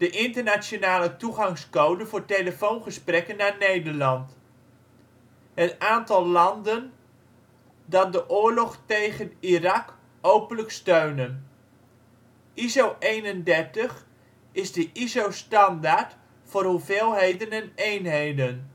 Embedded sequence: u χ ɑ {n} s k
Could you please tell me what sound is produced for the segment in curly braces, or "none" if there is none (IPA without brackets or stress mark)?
ŋ